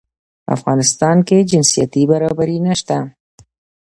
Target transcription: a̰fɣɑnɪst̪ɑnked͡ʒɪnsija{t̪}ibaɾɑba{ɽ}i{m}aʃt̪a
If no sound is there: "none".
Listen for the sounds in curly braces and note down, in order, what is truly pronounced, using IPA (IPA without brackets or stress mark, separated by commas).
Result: t̪, ɾ, n